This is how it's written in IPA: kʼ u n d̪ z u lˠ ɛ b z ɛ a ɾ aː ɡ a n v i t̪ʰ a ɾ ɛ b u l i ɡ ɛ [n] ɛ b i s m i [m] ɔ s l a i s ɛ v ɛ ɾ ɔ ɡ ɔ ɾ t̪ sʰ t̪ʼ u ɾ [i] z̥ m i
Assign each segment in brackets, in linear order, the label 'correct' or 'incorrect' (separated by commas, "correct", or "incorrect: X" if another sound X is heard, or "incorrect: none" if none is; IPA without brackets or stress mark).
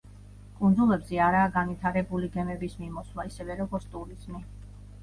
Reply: incorrect: m, correct, correct